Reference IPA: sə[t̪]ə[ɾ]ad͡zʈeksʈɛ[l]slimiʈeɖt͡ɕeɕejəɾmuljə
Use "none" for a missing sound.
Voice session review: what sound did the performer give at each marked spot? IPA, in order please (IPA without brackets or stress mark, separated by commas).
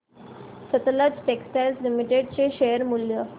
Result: t̪, l, l